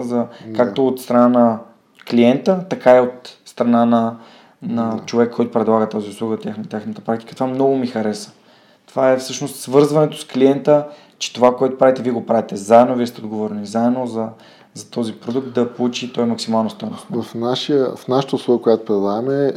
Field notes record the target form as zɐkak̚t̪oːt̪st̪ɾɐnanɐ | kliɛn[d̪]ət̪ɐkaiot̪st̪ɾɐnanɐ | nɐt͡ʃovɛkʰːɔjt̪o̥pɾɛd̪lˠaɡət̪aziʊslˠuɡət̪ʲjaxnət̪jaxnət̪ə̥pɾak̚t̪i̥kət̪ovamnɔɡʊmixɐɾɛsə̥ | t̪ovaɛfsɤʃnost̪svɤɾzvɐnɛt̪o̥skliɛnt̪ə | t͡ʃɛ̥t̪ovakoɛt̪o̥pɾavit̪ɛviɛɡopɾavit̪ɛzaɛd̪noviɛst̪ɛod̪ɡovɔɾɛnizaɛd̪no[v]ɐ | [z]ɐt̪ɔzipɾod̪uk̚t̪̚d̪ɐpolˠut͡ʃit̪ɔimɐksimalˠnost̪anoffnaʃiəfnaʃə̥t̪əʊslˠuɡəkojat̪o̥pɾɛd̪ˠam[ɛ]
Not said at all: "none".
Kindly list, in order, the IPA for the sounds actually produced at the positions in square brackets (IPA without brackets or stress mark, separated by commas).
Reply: t̪, z, z, ɛ